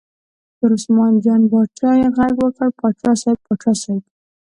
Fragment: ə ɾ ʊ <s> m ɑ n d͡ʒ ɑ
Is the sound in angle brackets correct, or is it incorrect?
correct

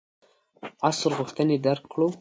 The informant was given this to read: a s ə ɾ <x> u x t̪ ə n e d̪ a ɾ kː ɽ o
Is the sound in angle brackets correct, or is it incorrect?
incorrect: ɣ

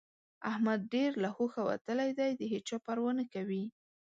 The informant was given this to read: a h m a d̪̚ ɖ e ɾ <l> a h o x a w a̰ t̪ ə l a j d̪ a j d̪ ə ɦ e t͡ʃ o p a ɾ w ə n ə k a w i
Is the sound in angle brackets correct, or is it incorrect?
correct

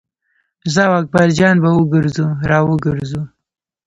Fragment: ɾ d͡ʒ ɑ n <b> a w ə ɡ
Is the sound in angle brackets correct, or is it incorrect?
correct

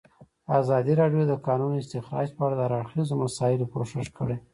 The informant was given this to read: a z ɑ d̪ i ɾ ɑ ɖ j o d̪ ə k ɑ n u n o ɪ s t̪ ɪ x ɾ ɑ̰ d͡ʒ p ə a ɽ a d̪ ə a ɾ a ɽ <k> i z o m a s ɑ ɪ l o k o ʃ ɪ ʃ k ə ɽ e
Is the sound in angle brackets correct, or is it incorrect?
incorrect: x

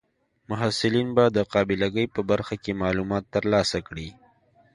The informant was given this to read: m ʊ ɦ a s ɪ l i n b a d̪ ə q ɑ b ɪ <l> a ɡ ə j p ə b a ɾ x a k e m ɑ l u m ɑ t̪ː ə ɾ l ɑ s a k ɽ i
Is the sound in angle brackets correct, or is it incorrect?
correct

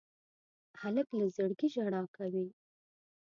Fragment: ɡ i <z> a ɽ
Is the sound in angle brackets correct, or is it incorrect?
incorrect: ʒ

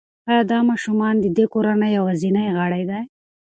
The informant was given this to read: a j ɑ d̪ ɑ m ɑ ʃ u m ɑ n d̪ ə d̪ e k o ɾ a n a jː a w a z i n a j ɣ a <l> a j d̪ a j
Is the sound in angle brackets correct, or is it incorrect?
incorrect: ɽ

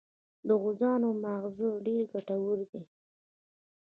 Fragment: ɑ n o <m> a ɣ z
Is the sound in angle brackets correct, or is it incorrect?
correct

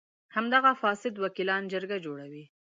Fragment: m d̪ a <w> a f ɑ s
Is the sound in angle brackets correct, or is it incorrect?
incorrect: ɣ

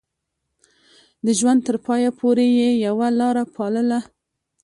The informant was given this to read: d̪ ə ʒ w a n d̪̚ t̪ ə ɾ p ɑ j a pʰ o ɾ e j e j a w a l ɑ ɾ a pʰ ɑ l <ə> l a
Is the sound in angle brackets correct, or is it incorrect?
correct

